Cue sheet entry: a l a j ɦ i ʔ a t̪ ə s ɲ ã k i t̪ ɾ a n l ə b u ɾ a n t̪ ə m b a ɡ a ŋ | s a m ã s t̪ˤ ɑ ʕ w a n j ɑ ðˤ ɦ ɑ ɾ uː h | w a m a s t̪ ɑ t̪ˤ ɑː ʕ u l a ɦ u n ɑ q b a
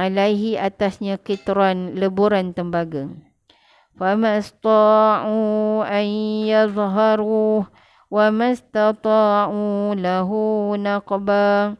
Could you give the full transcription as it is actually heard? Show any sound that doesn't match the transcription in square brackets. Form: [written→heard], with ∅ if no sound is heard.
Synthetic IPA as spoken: a l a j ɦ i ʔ a t̪ [ə→a] s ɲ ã k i t̪ ɾ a n l ə b u ɾ a n t̪ ə m b a ɡ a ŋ | [s→f] a m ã s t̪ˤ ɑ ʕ [w→u] a n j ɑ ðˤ ɦ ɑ ɾ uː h | w a m a s t̪ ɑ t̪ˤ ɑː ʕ u l a ɦ u n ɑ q b a